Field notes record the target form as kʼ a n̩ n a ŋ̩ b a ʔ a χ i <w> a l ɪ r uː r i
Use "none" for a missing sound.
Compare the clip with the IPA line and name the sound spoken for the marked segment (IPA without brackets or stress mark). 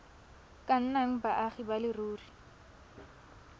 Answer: b